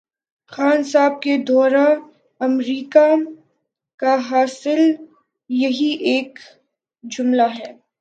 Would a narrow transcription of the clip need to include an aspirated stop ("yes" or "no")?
no